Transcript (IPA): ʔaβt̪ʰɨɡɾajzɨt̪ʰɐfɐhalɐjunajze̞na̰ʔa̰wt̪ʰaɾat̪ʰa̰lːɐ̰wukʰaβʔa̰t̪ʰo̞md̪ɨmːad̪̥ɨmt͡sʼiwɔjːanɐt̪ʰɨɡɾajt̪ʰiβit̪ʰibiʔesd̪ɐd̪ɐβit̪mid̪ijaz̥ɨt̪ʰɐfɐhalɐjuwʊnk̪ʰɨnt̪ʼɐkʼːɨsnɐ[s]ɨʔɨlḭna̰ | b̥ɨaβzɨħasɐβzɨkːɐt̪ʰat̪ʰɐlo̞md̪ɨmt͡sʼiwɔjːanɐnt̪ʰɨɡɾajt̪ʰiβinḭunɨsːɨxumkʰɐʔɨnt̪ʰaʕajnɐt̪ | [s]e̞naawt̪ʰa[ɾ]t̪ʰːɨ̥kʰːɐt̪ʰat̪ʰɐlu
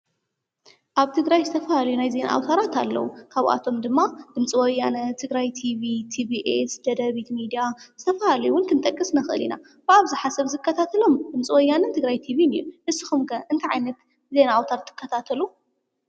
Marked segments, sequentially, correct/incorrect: incorrect: x, incorrect: z, correct

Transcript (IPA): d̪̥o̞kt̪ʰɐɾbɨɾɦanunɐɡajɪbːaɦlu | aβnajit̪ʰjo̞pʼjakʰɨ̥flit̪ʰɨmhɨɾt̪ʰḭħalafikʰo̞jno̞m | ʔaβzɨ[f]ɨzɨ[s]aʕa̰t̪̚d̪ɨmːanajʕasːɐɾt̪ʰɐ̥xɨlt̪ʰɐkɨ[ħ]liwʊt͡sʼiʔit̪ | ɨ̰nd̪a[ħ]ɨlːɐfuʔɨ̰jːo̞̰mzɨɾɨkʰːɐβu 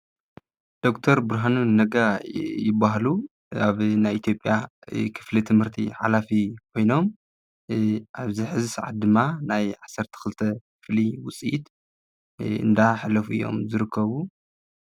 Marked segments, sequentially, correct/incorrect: incorrect: ħ, correct, incorrect: f, correct

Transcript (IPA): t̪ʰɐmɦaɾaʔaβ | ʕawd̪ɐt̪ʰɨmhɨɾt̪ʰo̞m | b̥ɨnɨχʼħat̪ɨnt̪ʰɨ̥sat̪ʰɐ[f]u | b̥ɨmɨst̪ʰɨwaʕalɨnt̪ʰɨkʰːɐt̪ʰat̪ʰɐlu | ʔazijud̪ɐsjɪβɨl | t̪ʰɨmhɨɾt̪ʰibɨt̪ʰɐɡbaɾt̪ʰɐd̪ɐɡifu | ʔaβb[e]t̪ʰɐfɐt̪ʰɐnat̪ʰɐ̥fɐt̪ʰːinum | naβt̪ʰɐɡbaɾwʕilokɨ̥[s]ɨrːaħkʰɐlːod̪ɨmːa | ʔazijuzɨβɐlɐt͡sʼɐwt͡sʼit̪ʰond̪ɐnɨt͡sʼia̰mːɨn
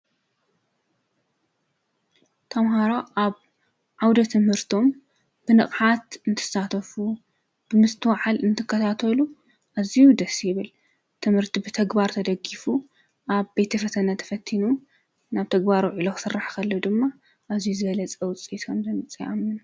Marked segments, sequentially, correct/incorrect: correct, correct, correct

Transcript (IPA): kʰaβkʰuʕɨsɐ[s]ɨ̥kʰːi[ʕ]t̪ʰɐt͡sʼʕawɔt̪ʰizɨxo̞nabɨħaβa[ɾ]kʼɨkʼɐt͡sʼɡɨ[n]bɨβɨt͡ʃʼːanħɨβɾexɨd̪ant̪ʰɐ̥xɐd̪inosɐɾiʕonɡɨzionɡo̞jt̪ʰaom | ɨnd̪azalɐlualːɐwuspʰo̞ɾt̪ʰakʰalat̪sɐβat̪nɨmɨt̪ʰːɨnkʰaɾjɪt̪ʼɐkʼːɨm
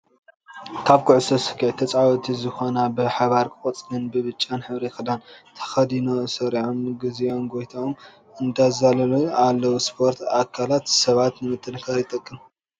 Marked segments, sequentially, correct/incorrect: correct, correct, correct, correct

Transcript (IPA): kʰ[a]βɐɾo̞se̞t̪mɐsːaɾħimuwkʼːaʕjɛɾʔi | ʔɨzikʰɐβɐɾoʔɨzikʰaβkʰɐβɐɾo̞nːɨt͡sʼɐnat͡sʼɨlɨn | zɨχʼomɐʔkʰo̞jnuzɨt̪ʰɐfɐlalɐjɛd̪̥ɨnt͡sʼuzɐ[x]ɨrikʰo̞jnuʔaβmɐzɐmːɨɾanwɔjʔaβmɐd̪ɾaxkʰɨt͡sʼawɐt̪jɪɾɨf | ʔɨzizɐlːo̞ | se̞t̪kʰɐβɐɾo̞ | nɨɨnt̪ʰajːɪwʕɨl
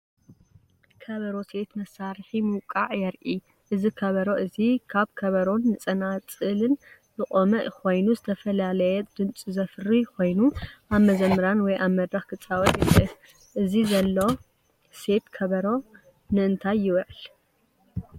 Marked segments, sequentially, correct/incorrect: incorrect: ɐ, incorrect: f

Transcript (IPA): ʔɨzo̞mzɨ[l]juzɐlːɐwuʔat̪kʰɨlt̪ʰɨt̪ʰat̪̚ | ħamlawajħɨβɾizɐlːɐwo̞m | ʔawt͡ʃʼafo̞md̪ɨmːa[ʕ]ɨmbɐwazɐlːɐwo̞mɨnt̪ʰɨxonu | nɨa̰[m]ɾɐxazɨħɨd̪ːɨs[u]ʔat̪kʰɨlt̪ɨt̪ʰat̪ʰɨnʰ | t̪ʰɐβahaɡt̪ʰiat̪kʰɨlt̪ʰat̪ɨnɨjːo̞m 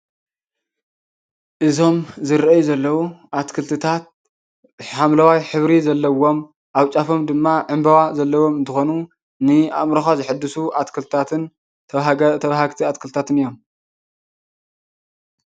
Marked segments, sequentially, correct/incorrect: incorrect: ɾ, correct, correct, correct

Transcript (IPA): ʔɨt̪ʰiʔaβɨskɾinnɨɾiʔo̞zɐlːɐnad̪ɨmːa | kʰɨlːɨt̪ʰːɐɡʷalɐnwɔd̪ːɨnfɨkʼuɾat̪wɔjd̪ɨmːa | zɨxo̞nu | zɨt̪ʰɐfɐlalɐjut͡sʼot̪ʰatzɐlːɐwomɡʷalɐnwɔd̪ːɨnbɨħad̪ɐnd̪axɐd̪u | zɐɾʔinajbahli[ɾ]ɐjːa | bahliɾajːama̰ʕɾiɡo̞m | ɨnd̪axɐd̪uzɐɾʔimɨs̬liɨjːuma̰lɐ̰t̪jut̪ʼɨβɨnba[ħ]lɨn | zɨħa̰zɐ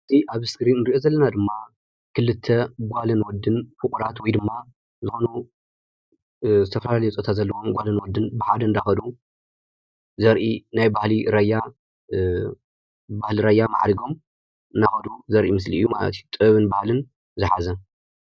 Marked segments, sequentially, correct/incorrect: correct, incorrect: h

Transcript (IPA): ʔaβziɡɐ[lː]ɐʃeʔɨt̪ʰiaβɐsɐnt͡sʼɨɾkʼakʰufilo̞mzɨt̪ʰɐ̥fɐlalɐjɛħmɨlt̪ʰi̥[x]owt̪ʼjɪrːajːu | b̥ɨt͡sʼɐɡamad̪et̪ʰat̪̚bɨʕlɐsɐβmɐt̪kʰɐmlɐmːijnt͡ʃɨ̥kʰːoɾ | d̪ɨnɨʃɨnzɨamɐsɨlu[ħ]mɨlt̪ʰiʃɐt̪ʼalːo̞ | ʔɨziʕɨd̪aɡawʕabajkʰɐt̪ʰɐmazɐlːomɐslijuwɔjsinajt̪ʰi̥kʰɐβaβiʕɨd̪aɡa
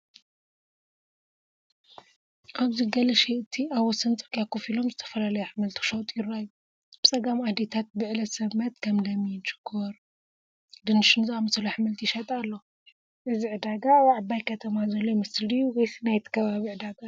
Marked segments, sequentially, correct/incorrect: incorrect: l, incorrect: ʃ, correct

